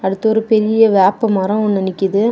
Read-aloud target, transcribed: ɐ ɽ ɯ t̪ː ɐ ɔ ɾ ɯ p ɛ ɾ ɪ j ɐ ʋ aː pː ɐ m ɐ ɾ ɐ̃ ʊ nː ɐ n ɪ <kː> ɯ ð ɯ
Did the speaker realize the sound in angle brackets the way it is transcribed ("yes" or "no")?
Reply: yes